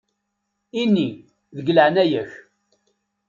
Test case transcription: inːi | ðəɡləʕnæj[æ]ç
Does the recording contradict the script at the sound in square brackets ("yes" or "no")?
no